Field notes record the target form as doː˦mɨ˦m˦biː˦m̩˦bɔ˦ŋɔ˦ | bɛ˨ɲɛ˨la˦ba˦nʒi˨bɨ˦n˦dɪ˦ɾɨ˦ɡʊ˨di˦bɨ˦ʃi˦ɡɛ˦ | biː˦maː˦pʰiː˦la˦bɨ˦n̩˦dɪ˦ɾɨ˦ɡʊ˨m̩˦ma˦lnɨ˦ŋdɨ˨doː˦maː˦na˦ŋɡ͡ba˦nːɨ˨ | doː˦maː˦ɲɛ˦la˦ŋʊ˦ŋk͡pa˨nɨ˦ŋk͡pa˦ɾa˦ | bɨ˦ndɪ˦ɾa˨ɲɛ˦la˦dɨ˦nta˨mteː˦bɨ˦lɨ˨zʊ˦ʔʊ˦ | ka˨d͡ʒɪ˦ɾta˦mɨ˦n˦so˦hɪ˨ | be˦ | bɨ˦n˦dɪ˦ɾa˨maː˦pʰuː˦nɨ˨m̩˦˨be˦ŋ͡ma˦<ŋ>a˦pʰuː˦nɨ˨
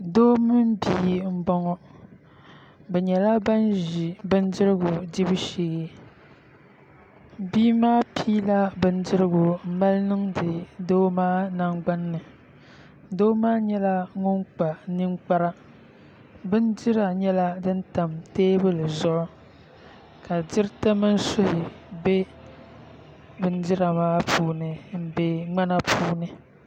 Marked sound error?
yes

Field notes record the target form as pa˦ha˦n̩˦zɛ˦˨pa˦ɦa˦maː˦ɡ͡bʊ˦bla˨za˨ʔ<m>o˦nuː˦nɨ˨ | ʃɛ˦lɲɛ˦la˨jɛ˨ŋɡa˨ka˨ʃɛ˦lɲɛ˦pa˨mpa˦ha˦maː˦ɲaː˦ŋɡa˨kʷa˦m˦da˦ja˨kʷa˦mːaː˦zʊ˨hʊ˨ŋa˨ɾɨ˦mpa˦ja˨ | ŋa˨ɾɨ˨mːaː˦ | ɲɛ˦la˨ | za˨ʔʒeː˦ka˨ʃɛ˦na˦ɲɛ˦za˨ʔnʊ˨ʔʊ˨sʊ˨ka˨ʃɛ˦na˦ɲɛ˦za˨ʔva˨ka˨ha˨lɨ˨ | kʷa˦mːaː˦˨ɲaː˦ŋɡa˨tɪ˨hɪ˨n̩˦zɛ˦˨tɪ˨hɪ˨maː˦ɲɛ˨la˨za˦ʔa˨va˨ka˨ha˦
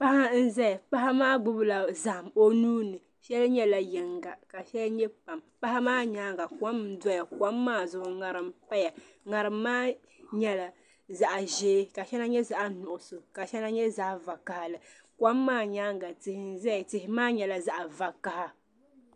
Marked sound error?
no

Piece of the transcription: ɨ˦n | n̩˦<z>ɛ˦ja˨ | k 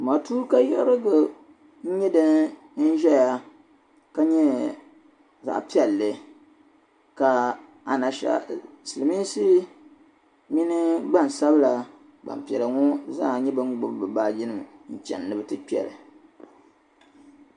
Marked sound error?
yes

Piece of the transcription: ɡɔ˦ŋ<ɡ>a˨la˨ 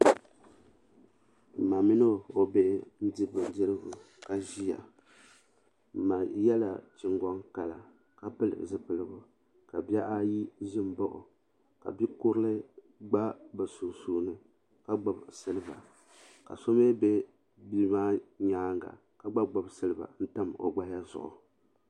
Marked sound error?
yes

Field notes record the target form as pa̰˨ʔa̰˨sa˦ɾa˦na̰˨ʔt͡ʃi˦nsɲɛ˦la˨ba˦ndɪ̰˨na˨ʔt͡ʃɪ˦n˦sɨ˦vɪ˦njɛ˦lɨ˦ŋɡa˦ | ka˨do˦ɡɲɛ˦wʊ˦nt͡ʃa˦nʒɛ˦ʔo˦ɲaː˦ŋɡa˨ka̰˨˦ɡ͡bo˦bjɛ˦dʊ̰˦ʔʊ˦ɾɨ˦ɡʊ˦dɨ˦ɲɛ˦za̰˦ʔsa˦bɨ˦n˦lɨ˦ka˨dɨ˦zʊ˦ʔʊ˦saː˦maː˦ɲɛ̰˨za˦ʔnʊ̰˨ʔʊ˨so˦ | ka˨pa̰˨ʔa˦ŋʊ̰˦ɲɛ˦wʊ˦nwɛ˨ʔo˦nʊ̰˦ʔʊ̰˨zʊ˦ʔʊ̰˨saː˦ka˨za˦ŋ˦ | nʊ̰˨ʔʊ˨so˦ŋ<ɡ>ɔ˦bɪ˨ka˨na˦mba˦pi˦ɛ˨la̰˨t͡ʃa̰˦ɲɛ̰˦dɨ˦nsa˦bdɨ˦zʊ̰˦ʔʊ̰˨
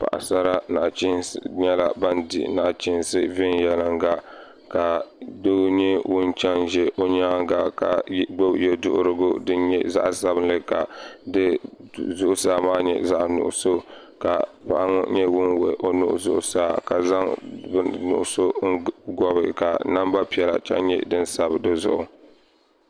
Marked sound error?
no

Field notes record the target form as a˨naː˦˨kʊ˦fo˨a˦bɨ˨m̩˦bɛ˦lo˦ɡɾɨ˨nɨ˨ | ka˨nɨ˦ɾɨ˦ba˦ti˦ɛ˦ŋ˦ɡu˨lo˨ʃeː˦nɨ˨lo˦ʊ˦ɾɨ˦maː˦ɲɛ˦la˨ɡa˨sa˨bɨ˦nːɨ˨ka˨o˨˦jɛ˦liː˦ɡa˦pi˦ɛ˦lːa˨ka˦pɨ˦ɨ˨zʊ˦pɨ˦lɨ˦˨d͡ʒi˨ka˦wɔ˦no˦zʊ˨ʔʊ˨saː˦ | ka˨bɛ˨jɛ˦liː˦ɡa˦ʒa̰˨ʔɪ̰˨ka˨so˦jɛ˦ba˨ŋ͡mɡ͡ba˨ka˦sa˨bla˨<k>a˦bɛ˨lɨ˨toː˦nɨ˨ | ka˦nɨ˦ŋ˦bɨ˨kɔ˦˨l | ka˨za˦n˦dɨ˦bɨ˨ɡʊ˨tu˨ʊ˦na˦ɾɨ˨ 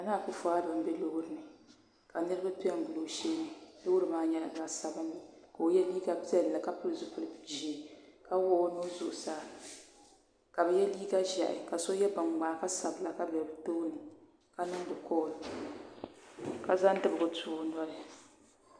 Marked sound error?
no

